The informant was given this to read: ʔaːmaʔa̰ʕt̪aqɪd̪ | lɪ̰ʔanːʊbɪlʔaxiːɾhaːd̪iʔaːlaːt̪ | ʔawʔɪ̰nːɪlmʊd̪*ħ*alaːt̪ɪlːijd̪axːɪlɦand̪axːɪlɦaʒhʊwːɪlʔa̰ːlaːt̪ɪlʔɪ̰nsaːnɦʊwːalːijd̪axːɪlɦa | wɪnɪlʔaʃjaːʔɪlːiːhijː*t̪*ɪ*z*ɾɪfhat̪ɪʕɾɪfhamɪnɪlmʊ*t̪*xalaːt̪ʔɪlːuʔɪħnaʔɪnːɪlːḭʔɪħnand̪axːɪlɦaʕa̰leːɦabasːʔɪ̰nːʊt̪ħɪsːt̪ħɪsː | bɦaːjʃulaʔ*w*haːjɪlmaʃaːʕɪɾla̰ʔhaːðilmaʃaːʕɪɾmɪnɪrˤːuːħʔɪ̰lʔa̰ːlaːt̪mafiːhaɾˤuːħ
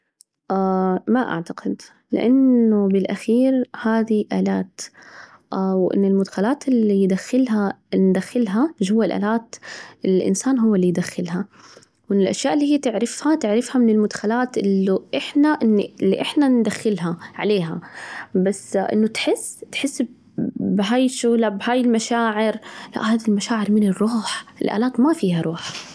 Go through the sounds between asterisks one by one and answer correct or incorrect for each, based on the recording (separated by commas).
incorrect, correct, incorrect, incorrect, incorrect